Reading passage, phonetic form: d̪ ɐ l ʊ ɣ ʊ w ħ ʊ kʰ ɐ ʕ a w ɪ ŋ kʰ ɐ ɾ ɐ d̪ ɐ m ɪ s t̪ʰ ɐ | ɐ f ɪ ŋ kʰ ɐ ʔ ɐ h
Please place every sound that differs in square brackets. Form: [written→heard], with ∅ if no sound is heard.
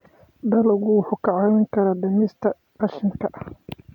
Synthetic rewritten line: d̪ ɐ l ʊ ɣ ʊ w ħ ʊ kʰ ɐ ʕ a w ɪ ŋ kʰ ɐ ɾ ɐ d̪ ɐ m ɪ s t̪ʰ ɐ | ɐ [f→ʃ] ɪ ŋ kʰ ɐ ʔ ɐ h